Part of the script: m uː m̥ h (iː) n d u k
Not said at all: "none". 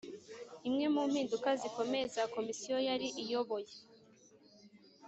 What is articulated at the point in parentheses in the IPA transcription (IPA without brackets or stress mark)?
iː